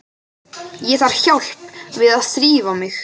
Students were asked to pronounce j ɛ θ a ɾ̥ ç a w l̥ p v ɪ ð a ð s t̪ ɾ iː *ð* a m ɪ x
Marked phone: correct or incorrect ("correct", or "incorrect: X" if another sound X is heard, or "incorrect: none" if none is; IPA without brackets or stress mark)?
incorrect: v